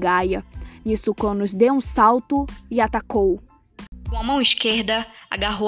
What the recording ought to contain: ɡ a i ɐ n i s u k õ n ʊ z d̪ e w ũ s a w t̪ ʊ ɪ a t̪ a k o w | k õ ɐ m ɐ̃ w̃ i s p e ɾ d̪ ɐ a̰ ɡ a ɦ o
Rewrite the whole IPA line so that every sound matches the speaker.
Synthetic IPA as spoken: ɡ a j ɐ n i s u k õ n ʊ z d̪ e w ũ s a w t̪ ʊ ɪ a t̪ a k o w | k õ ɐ m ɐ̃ w̃ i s k e ɾ d̪ ɐ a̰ ɡ a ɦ o